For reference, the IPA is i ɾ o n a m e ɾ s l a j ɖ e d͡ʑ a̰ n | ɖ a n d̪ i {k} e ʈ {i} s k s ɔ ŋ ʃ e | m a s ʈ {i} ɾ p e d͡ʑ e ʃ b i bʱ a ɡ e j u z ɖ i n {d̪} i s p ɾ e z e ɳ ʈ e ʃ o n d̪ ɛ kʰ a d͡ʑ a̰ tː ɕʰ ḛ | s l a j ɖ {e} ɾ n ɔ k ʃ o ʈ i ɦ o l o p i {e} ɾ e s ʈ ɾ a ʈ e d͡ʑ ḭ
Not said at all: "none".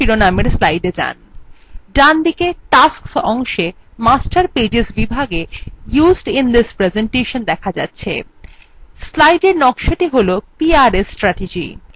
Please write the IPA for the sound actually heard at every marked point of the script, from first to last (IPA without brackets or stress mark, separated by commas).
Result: k, a, a, d̪, e, a